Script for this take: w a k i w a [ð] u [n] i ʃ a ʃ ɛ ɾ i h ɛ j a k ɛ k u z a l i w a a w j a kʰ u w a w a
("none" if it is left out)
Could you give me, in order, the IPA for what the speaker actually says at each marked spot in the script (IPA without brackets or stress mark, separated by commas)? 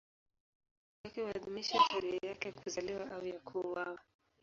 ð, m